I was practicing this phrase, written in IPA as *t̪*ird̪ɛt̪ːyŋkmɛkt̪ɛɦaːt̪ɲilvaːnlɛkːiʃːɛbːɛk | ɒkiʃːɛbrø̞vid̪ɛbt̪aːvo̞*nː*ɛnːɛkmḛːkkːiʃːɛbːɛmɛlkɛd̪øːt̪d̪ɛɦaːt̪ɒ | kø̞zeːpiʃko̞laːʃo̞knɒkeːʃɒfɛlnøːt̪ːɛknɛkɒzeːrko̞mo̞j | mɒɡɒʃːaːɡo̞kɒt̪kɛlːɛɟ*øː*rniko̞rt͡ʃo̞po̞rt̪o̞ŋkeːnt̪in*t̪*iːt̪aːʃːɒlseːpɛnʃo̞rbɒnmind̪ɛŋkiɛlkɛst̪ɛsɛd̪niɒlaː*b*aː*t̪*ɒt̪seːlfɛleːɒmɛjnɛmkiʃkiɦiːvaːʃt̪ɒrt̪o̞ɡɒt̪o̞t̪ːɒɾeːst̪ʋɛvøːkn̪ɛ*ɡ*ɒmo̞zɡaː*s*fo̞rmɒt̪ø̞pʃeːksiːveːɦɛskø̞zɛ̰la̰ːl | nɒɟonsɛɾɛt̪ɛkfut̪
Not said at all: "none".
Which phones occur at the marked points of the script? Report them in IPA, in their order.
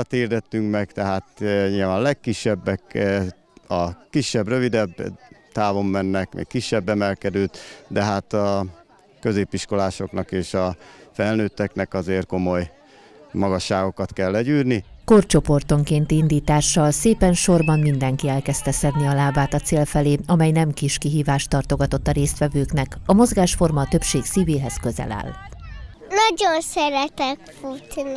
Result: t̪, mː, yː, d̪, b, t̪, k, ʃ

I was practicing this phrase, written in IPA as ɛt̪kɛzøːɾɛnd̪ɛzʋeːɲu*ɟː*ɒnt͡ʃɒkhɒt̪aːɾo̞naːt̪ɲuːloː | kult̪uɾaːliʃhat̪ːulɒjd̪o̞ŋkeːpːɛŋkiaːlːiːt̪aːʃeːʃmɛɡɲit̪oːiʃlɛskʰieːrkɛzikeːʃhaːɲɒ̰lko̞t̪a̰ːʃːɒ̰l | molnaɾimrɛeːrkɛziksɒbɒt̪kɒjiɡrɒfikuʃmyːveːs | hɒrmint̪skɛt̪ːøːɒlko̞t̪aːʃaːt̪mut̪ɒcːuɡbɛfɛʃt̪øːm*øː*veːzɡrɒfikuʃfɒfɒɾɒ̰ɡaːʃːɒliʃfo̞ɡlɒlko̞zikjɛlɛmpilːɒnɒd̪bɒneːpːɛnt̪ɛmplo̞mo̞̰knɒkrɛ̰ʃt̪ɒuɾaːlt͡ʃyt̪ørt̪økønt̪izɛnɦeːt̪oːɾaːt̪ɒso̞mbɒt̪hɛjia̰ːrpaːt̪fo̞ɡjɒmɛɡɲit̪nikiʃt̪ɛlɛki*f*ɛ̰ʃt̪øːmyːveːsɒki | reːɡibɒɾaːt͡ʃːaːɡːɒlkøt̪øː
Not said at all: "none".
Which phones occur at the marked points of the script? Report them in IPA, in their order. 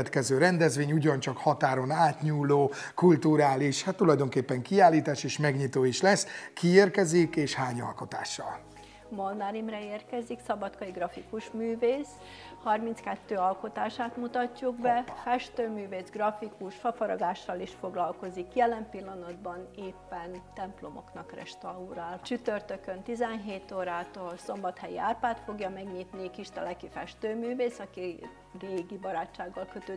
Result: ɟ, yː, f

